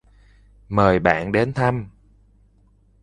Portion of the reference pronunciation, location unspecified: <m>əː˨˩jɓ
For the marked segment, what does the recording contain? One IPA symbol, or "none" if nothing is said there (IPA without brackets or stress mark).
m